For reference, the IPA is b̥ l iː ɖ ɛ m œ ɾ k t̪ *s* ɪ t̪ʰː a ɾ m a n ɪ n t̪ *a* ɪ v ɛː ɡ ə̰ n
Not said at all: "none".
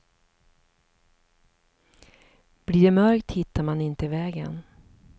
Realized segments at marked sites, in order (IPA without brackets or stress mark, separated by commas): h, ə